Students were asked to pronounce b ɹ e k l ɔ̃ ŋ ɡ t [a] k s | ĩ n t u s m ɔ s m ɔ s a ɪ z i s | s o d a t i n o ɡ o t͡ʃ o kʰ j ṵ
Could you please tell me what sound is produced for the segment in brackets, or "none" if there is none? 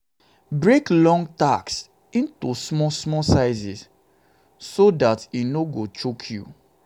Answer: a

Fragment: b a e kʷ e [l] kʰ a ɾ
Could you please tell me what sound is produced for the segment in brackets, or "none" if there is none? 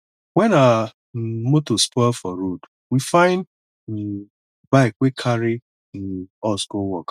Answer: none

